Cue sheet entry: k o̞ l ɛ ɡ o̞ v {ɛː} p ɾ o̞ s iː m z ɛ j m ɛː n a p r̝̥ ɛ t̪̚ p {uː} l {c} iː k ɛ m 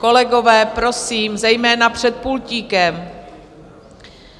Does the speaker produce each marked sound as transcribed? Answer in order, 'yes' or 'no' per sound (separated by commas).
yes, no, yes